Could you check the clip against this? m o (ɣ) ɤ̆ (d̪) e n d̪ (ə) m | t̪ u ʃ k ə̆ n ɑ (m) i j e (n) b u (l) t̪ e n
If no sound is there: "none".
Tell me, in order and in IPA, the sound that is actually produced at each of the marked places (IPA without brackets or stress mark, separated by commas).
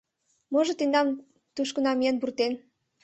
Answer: ʒ, t̪, ɑ, m, n, r